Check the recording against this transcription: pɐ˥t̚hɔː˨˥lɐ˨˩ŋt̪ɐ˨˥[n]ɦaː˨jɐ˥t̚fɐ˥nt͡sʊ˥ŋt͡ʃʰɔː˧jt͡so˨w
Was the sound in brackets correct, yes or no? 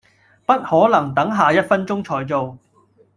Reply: no